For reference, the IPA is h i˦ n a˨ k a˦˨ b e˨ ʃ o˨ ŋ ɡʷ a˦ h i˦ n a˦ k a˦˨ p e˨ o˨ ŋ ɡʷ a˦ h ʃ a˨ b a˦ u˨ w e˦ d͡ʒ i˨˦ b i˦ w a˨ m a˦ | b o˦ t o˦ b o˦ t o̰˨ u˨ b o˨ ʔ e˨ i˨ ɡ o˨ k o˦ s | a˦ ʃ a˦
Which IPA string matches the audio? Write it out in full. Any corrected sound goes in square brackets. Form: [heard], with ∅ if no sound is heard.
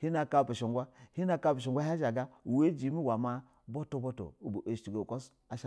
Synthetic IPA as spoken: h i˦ n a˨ k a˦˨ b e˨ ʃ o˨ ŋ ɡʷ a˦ h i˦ n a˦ k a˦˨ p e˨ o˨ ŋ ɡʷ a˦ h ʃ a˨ [ɡ] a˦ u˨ w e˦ d͡ʒ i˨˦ [m] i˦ w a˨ m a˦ | b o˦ t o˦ b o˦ t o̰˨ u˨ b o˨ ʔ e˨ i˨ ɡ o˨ k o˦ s | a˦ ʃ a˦